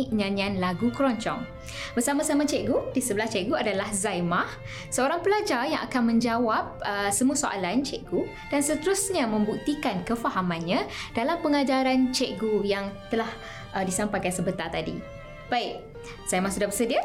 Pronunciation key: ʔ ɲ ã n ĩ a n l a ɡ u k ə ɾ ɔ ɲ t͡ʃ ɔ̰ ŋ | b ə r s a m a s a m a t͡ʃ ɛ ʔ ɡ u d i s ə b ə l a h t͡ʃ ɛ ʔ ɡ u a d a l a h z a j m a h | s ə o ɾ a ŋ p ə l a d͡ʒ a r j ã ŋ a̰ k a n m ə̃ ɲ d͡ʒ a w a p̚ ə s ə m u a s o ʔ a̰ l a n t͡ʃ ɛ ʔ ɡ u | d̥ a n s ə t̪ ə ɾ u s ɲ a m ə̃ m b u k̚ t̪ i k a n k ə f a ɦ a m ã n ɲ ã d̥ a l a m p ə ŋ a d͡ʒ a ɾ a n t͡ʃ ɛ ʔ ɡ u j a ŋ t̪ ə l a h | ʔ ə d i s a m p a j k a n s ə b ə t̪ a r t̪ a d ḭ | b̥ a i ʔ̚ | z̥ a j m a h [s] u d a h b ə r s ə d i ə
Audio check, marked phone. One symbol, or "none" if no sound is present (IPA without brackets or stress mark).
s